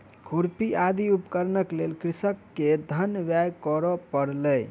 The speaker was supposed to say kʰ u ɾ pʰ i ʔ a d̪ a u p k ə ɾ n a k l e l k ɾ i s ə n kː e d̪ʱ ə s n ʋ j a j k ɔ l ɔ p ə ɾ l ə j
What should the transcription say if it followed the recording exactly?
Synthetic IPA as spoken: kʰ u ɾ p i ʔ a d̪ i u p k ə ɾ n ə k l e l k ɾ i s ə kː e d̪ʱ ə n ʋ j a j k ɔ ɾ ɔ p ə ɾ l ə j